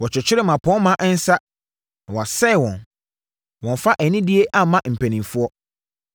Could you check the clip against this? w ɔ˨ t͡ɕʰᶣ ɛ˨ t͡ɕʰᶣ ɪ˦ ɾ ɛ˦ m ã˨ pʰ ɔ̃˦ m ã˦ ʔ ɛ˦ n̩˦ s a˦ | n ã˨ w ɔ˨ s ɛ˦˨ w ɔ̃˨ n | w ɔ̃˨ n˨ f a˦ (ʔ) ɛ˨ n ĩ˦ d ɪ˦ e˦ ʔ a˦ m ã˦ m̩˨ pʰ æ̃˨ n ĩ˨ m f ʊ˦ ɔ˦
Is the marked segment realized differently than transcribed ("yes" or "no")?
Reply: no